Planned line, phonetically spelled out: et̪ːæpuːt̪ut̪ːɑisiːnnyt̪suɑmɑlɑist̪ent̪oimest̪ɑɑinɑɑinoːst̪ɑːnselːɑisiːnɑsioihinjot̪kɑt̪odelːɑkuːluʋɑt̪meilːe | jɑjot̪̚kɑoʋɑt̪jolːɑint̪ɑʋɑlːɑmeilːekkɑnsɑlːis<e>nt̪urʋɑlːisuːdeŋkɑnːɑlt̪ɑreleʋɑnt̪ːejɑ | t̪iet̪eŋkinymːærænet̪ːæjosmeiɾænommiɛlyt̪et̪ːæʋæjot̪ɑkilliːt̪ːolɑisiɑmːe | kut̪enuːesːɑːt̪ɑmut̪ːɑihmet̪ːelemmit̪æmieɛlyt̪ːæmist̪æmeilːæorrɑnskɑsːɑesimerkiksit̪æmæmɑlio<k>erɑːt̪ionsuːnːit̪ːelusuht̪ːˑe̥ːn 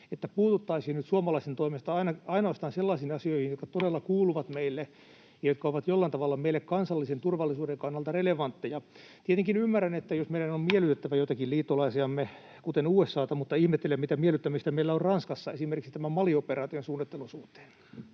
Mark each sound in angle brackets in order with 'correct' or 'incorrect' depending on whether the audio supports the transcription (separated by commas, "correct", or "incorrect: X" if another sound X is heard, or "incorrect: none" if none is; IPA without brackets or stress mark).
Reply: correct, incorrect: p